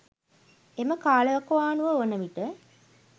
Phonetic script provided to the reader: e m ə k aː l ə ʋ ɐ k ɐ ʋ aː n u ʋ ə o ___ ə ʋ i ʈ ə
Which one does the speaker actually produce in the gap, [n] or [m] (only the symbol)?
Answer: n